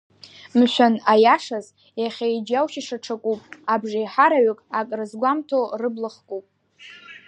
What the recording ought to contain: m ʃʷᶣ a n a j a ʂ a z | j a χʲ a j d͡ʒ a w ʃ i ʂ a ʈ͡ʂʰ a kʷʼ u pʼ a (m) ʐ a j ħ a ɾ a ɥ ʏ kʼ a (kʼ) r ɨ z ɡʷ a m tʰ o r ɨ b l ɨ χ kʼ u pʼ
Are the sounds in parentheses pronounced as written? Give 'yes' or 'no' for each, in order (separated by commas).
no, yes